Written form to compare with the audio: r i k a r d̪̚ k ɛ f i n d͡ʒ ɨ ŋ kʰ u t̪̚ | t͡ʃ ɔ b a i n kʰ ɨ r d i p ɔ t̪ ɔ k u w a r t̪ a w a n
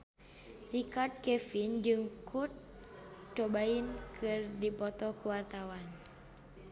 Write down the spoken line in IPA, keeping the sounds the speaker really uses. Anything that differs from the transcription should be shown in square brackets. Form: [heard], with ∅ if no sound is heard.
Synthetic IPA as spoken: r i k a r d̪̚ k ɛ f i n d͡ʒ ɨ ŋ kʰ u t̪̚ | t͡ʃ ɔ b a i n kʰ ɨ r d i p ɔ t̪ ɔ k u w a r t̪ a w a n